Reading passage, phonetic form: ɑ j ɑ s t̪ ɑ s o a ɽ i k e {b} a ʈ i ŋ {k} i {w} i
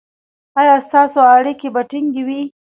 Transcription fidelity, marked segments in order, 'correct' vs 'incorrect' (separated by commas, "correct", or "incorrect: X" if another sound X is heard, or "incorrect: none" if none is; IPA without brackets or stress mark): correct, incorrect: ɡ, correct